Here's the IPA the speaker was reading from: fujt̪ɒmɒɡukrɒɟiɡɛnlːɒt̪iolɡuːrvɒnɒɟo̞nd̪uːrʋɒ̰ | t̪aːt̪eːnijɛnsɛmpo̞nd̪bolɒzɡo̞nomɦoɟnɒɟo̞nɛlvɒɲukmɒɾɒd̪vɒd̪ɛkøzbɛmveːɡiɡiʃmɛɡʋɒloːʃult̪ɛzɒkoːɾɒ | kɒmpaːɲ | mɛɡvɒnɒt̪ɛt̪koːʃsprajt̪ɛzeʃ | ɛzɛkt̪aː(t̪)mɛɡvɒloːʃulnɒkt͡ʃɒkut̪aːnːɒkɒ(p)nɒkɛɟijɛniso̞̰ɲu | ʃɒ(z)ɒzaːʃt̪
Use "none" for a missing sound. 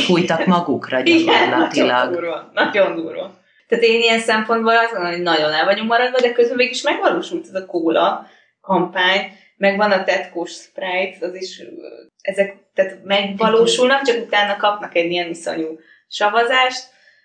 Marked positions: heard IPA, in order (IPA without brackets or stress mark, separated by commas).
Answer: t̪, p, v